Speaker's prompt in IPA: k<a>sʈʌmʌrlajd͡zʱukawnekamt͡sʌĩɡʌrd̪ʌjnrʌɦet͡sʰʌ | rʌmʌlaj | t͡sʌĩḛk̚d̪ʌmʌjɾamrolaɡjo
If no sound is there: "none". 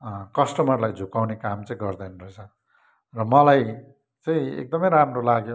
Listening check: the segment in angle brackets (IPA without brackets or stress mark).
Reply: ʌ